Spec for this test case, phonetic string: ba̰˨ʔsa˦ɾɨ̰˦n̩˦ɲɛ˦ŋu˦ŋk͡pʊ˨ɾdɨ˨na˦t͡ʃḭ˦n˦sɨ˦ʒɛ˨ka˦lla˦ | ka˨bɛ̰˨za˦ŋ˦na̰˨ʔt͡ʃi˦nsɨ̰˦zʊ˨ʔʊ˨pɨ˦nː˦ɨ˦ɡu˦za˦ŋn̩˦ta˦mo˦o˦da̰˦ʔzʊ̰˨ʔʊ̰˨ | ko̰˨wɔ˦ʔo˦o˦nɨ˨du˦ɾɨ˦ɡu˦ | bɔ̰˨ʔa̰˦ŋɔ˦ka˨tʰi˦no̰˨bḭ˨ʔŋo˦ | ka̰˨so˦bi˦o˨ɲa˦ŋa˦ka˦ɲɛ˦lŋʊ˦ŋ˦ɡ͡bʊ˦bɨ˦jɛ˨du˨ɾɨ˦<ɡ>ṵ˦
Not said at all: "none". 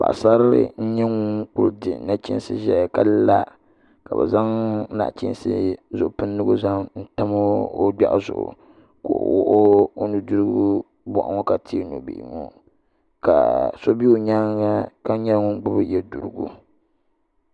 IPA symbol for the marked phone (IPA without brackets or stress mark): ɡ